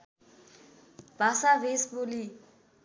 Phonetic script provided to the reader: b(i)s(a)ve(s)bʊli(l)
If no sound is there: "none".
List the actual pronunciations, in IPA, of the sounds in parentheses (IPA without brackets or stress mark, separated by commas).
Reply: a, a, s, none